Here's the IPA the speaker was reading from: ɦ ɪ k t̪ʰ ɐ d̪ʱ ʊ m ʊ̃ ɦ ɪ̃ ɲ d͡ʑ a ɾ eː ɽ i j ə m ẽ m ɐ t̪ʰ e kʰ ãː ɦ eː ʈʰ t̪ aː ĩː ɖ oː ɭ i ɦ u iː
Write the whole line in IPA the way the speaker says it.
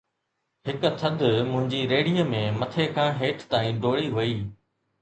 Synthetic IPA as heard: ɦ ɪ k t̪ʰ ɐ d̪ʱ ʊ m ʊ̃ ɦ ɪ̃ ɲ d͡ʑ i ɾ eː ɽ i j ə m ẽ m ɐ t̪ʰ e kʰ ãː ɦ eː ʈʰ t̪ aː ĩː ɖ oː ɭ i ɦ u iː

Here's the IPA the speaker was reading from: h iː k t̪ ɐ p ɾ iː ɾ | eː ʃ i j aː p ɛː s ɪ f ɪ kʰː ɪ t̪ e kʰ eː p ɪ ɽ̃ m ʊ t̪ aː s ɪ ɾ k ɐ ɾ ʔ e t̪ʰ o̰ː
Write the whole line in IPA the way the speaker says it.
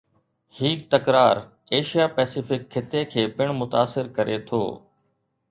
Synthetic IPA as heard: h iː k t̪ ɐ k ɾ aː ɾ | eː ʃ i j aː p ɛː s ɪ f ɪ kʰː ɪ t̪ e kʰ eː p ɪ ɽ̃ m ʊ t̪ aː s ɪ ɾ k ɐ ɾ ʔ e t̪ʰ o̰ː

